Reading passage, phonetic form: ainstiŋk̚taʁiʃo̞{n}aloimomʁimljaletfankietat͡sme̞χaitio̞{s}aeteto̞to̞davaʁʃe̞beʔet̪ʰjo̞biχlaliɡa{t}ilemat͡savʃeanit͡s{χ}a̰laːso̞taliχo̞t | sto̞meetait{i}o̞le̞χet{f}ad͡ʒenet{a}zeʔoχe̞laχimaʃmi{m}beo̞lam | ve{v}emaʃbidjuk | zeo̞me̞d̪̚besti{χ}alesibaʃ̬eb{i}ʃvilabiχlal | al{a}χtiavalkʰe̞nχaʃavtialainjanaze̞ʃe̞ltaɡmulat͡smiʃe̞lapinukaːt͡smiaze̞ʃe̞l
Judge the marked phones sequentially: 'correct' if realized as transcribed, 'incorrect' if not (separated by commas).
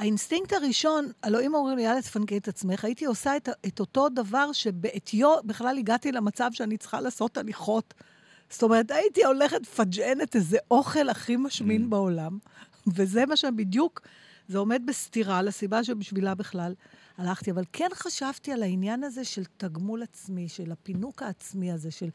correct, correct, correct, correct, correct, correct, incorrect, incorrect, incorrect, incorrect, correct, correct